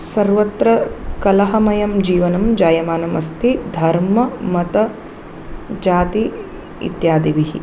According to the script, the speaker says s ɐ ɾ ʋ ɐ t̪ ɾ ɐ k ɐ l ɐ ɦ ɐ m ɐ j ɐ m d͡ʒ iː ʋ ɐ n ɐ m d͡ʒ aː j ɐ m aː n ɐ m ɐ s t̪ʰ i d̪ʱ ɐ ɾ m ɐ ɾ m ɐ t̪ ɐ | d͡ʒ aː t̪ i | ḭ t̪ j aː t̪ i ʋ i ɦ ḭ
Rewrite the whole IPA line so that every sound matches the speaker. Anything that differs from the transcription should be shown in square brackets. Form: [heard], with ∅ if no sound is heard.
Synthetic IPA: s ɐ ɾ ʋ ɐ t̪ ɾ ɐ k ɐ l ɐ ɦ ɐ m ɐ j ɐ m d͡ʒ iː ʋ ɐ n ɐ m d͡ʒ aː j ɐ m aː n ɐ m ɐ s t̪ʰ i d̪ʱ ɐ ɾ m ɐ [∅] m ɐ t̪ ɐ | d͡ʒ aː t̪ i | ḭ t̪ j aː [d̪] i ʋ i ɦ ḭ